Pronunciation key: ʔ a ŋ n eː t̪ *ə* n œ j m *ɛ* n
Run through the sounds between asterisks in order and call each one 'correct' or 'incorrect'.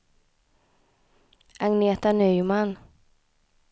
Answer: incorrect, incorrect

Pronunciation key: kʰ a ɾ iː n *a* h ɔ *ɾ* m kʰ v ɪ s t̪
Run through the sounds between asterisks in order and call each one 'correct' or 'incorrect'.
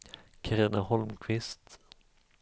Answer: correct, incorrect

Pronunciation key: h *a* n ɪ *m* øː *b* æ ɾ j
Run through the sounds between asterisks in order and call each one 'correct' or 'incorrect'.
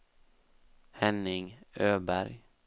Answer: incorrect, incorrect, correct

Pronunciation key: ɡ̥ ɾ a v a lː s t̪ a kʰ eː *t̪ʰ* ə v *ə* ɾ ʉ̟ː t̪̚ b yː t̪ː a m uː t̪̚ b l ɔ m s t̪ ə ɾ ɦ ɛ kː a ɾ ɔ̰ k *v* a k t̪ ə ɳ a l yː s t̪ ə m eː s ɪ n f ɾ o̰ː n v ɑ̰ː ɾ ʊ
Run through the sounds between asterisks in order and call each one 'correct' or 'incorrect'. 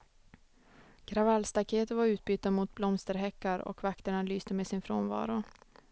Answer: incorrect, incorrect, correct

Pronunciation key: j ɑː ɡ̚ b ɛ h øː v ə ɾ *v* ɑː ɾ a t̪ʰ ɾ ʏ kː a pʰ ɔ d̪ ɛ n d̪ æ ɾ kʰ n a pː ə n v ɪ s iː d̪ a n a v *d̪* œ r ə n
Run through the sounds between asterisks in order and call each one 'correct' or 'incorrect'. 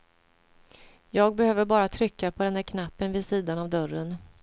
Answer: incorrect, correct

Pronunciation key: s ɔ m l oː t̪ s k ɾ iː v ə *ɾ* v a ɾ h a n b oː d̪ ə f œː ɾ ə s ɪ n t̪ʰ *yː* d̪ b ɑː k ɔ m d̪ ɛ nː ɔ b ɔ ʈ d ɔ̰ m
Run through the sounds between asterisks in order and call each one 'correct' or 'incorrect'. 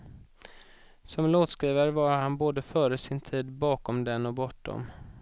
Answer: correct, incorrect

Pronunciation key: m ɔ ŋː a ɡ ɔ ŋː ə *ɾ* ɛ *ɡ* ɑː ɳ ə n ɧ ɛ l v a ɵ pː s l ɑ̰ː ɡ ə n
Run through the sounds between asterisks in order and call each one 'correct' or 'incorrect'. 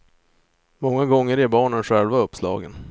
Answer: correct, incorrect

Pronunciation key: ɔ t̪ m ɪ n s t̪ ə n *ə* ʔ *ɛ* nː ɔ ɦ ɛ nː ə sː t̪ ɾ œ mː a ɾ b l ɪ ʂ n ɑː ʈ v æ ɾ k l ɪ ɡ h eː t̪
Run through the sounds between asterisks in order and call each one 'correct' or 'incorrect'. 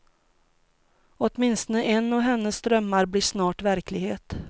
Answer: correct, correct

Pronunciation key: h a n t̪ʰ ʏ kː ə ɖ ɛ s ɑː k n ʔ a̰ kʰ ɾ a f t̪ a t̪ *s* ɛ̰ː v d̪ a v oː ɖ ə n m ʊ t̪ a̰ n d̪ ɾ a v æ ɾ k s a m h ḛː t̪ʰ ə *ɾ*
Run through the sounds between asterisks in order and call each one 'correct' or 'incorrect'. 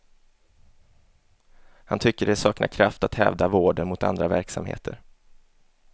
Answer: incorrect, correct

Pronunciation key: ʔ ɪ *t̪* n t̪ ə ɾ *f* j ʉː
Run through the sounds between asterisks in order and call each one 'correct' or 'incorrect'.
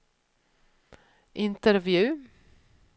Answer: incorrect, incorrect

